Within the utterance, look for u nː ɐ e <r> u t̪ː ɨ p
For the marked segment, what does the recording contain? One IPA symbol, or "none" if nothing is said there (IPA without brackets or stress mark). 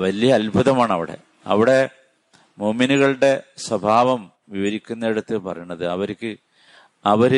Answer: ɽ